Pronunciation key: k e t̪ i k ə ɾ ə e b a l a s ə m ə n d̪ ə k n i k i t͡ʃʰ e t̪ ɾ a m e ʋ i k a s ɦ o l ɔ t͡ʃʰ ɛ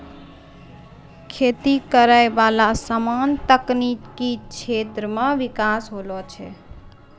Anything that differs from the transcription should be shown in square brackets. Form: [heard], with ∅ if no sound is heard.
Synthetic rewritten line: [kʰ] e t̪ i k ə ɾ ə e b a l a s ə m [a] n [t̪] ə k n i k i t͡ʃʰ e t̪ ɾ [ə] m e ʋ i k a s ɦ o l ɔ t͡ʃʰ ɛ